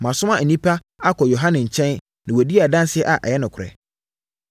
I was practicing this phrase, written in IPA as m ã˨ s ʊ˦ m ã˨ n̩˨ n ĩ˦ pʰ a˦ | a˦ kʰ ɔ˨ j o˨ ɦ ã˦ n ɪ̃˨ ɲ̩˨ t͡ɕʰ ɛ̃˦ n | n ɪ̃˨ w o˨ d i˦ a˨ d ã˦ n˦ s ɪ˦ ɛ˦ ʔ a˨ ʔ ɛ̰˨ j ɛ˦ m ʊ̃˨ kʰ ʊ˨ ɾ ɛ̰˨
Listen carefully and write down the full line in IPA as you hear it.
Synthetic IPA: m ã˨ s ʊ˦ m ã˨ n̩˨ n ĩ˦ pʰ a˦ | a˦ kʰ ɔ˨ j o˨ ɦ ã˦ n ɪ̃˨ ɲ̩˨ t͡ɕʰ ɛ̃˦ n | n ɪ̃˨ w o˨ d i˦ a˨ d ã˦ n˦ s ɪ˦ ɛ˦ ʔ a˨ ʔ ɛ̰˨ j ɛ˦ n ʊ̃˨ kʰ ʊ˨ ɾ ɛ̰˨